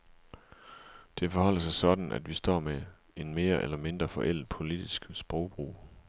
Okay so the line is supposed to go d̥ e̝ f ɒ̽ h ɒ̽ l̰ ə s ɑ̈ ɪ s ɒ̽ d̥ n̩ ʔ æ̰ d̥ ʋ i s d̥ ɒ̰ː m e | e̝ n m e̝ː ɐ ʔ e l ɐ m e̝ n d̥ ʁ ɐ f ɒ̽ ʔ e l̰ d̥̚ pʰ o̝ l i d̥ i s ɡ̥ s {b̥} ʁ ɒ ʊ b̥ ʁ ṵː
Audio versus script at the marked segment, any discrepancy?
no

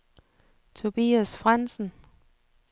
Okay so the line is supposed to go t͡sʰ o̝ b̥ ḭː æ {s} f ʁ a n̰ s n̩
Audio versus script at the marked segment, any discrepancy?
no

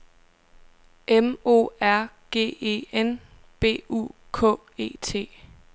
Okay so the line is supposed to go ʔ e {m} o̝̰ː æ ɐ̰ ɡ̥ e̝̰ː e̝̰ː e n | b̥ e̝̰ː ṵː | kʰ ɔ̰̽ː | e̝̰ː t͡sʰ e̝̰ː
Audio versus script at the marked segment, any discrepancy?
no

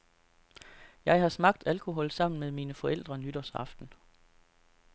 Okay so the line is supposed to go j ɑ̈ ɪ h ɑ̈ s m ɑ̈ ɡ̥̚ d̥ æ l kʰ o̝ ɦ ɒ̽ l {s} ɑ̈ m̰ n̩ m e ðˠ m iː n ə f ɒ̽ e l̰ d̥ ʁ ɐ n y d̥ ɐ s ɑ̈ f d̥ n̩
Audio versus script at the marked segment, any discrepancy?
no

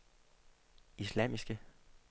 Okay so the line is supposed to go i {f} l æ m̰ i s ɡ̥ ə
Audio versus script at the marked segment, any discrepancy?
yes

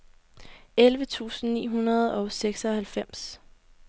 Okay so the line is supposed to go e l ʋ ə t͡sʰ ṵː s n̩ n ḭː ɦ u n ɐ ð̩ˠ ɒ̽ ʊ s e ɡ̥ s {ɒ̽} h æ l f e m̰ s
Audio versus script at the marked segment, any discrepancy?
no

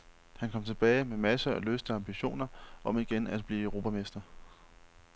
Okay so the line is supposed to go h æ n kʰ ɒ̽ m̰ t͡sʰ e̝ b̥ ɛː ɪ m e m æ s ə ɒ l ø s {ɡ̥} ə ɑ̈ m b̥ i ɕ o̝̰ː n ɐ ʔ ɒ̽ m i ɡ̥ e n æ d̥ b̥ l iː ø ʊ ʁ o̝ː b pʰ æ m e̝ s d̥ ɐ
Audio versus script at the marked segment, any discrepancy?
yes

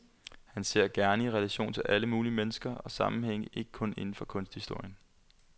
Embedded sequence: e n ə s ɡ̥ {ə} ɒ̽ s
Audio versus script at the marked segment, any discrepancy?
yes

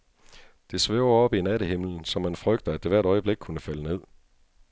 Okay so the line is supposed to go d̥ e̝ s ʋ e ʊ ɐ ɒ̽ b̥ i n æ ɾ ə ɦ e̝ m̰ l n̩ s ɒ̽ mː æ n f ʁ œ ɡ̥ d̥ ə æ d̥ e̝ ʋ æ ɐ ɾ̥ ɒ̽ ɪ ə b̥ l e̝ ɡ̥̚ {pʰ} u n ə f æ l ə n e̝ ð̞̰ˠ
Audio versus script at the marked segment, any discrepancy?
yes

